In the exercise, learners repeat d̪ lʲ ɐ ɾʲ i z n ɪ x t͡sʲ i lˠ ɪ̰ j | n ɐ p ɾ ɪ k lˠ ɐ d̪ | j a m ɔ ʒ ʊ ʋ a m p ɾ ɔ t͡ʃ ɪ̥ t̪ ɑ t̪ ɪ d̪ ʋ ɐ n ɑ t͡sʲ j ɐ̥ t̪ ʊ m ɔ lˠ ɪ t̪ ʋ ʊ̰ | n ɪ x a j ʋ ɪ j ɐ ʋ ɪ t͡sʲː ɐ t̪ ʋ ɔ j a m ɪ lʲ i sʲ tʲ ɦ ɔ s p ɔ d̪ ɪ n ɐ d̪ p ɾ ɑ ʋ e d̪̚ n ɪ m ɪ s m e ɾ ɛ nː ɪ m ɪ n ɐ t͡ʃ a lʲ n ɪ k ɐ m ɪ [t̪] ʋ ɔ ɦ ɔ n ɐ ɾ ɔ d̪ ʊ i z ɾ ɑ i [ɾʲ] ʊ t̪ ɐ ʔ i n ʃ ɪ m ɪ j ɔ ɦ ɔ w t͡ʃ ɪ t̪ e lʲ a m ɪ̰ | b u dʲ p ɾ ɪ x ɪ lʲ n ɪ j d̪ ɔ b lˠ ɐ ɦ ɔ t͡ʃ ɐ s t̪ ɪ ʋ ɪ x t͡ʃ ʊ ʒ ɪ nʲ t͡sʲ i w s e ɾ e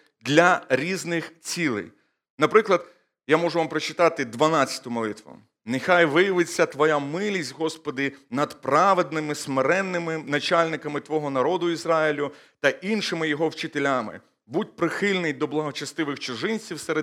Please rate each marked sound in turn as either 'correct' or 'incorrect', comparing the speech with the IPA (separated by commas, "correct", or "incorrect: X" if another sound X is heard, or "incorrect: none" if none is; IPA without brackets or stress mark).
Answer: correct, incorrect: lʲ